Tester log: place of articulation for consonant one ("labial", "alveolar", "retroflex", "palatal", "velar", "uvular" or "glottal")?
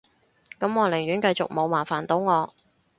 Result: velar